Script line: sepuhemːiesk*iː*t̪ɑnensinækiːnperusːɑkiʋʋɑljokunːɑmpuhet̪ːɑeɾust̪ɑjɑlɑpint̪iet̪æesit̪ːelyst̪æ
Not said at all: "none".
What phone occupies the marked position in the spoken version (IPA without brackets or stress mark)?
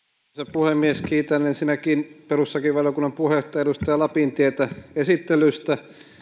iː